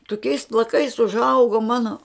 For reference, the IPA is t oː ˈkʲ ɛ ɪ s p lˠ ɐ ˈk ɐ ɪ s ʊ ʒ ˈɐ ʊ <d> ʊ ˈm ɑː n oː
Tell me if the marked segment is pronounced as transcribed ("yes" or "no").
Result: no